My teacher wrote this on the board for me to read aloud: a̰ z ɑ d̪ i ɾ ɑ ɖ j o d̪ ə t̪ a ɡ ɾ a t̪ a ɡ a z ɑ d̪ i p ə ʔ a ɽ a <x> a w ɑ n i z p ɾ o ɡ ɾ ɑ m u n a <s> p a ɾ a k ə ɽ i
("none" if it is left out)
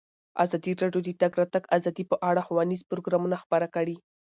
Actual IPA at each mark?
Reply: x, x

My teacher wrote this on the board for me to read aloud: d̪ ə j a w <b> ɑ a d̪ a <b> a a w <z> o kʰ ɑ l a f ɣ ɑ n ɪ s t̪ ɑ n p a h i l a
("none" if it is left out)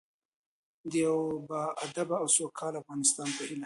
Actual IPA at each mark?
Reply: b, b, s

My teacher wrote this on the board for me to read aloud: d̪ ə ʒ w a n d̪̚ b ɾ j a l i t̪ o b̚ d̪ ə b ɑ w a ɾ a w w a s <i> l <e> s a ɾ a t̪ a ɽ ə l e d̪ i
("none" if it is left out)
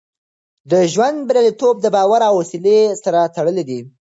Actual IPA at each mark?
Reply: i, e

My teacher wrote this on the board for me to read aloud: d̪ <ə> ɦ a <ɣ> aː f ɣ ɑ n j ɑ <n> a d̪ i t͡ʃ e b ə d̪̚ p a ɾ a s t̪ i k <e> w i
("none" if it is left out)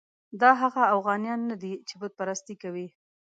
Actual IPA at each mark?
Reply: ɑ, ɣ, nː, a

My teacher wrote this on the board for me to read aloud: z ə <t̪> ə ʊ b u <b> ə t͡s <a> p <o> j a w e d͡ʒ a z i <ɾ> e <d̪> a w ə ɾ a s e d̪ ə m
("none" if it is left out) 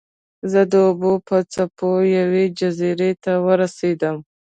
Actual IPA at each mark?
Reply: d̪, p, a, o, ɾ, t̪

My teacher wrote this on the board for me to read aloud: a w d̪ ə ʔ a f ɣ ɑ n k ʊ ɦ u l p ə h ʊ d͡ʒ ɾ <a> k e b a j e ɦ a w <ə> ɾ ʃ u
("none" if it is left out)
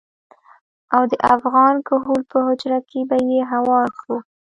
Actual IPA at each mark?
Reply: a, ɑ

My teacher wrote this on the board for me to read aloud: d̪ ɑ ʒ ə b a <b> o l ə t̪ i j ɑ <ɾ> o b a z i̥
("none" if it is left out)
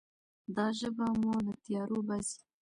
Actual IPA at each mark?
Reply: m, ɾ

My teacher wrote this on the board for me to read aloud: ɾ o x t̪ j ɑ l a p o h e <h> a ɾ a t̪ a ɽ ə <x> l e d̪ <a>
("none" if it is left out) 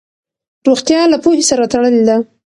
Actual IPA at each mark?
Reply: s, none, a

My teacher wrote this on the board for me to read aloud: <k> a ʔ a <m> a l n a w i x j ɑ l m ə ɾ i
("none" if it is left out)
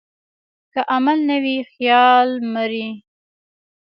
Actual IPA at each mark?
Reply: k, m

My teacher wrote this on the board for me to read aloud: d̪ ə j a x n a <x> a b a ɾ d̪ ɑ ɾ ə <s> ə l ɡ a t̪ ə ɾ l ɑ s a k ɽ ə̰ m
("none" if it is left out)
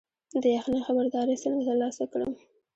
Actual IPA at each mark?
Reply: x, s

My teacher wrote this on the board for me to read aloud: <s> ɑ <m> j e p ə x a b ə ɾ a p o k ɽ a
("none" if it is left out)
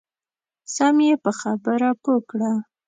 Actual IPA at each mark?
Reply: s, m

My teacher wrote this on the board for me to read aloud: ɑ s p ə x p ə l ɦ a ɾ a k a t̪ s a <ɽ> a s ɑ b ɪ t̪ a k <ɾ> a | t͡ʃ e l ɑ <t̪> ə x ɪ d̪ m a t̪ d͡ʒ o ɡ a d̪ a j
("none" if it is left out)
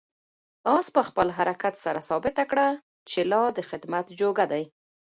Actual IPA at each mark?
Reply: ɾ, ɽ, d̪

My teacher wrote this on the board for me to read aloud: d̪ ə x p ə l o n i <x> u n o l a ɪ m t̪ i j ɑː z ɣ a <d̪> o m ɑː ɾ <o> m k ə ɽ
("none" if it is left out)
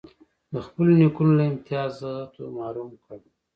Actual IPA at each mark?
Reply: k, t̪, u

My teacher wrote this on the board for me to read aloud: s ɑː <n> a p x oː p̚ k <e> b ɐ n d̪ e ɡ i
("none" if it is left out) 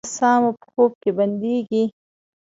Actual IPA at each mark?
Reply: m, e

